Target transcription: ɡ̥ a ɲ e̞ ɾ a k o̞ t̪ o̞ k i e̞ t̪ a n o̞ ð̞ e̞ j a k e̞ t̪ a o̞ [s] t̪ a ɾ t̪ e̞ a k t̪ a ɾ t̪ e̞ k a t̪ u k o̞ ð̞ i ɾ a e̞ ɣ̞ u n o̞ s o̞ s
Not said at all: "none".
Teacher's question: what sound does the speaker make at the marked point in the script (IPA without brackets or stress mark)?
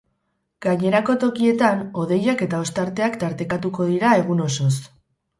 s